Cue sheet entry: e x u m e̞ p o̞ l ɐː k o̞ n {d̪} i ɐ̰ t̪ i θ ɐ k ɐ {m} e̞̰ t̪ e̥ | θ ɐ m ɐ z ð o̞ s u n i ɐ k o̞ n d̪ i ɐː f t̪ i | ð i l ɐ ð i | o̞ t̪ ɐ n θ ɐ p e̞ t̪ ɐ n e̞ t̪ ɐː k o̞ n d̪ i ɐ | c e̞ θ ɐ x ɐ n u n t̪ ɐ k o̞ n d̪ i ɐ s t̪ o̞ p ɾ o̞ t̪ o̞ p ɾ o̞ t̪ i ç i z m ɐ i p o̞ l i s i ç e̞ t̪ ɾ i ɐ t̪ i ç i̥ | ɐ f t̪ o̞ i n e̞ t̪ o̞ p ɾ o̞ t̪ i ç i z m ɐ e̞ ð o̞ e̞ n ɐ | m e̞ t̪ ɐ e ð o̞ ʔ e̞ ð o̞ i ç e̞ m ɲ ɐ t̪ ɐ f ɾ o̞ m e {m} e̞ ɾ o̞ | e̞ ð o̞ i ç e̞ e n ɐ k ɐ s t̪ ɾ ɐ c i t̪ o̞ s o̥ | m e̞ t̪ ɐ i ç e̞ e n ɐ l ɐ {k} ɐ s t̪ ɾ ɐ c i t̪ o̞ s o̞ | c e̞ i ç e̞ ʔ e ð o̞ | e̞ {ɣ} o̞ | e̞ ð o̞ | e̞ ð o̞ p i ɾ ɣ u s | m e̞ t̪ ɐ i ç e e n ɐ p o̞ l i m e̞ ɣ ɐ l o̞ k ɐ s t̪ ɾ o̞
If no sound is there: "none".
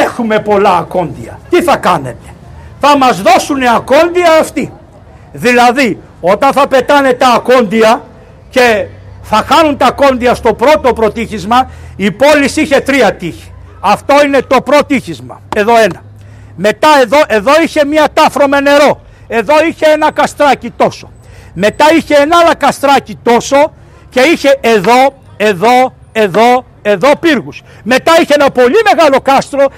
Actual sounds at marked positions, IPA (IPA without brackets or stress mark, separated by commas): d̪, n, n, k, ð